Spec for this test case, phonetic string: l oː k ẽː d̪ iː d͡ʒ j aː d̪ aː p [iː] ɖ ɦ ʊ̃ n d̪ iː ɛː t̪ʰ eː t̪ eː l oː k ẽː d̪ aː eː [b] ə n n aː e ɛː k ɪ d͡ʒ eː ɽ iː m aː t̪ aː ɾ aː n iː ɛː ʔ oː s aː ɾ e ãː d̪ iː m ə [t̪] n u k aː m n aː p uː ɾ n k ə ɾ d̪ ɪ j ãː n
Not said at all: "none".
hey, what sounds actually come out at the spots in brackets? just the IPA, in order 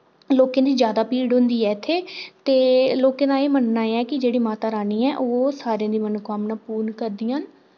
iː, m, none

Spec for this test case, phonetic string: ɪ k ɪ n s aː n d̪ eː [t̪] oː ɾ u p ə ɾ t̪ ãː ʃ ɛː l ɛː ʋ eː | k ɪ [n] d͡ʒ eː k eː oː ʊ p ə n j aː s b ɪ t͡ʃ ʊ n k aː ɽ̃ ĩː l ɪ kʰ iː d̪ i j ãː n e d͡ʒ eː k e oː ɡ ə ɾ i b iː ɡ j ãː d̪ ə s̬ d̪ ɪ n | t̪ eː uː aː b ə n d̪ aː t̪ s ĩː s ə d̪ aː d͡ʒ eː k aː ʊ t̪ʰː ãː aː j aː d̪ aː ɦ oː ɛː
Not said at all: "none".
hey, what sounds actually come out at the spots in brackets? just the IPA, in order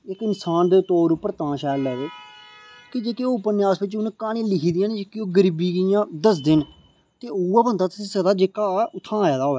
t̪, none

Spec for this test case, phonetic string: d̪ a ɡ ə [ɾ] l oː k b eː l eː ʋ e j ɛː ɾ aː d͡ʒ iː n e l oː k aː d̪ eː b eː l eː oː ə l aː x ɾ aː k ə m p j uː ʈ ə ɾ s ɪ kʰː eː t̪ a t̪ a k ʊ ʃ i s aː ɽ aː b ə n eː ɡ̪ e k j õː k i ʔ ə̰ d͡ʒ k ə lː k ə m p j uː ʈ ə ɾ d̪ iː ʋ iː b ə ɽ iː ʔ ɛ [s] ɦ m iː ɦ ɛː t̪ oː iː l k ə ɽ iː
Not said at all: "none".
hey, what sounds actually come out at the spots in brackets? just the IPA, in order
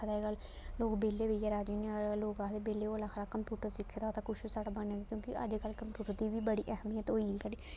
l, none

